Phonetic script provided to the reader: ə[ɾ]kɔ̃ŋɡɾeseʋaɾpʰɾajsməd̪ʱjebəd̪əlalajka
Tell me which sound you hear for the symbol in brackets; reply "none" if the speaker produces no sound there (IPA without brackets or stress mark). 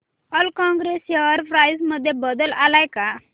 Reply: l